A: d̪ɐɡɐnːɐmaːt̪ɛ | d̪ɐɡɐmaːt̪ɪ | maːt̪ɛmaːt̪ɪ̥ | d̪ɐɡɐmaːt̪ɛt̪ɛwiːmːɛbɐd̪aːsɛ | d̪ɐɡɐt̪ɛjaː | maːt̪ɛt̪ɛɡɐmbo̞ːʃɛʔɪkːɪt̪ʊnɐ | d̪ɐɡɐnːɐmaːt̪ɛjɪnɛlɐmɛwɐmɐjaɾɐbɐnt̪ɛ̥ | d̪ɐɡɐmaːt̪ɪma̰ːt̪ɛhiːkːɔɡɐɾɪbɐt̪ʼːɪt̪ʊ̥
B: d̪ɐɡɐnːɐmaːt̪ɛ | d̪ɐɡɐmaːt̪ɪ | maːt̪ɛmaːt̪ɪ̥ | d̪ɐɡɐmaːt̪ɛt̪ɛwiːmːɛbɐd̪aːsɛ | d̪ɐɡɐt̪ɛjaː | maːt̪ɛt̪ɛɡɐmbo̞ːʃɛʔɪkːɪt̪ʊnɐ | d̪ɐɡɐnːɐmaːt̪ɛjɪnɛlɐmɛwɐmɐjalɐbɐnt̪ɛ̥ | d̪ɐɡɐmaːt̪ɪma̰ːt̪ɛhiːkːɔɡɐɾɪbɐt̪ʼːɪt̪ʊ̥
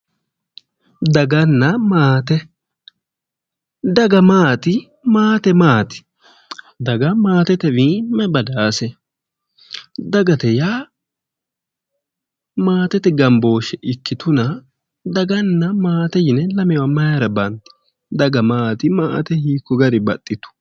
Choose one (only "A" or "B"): A